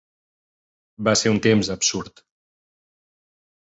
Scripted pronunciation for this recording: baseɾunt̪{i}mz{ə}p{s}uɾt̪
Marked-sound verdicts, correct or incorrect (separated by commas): incorrect, correct, correct